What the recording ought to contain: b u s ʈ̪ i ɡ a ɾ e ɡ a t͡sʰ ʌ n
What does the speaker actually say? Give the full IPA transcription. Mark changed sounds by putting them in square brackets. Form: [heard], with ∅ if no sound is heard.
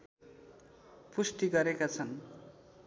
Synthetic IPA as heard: [p] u s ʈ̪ i ɡ [ʌ] ɾ e [k] a t͡sʰ ʌ n